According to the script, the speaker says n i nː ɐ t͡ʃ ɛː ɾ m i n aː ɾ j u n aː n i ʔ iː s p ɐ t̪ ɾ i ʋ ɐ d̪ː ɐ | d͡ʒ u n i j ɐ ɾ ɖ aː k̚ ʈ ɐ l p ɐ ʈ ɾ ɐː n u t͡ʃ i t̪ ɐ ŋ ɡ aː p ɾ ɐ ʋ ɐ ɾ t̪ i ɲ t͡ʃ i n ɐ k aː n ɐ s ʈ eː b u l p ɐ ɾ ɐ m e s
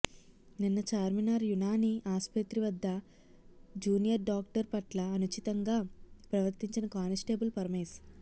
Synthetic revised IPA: n i nː ɐ t͡ʃ aː ɾ m i n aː ɾ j u n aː n i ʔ aː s p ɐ t̪ ɾ i ʋ ɐ d̪ː ɐ | d͡ʒ uː n i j ɐ ɾ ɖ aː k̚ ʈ ɐ ɾ p ɐ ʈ l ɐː n u t͡ʃ i t̪ ɐ ŋ ɡ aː p ɾ ɐ ʋ ɐ ɾ t̪ i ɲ t͡ʃ i n ɐ k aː n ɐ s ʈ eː b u l p ɐ ɾ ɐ m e s